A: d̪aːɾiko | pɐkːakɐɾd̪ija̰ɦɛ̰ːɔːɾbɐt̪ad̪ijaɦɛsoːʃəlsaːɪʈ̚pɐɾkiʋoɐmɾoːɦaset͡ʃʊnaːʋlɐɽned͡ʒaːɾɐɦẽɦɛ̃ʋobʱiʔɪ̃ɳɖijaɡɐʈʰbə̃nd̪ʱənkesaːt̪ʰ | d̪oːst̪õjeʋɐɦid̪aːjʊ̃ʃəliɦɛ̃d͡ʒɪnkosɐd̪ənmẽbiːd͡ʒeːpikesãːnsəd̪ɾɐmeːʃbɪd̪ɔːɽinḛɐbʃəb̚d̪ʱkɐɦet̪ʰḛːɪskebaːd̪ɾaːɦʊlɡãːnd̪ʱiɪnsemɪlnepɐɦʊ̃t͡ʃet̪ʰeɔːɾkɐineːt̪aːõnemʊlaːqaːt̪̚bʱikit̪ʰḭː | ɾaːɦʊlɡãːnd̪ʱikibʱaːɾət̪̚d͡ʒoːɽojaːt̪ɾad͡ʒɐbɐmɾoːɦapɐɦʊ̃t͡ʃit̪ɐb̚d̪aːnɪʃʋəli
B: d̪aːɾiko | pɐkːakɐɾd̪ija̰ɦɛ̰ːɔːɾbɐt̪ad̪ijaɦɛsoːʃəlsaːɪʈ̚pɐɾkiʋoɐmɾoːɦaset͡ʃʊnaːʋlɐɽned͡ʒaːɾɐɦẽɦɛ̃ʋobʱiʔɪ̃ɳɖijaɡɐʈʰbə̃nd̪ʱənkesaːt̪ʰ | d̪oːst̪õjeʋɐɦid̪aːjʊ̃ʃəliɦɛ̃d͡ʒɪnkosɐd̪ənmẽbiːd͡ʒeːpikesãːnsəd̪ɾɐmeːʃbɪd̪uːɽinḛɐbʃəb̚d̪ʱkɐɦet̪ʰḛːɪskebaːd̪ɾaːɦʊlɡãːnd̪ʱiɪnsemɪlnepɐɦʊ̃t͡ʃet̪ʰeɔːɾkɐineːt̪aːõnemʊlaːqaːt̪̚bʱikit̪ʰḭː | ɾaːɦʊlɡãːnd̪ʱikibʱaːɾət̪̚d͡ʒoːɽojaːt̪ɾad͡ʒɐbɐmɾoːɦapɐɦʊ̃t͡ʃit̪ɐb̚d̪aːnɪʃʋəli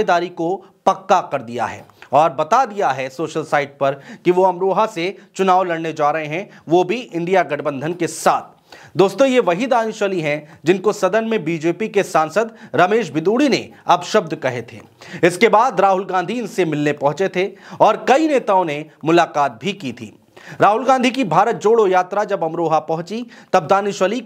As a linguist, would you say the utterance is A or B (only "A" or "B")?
B